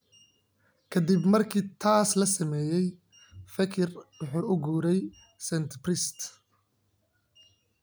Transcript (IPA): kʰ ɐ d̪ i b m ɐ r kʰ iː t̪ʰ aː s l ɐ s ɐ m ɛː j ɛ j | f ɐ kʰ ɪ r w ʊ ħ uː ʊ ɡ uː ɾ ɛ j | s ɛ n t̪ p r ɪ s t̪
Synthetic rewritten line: kʰ ɐ d̪ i b m ɐ r kʰ iː t̪ʰ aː s l ɐ s ɐ m ɛː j ɛ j | f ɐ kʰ ɪ r w ʊ ħ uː ʊ ɡ uː ɾ ɛ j | s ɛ n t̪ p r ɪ s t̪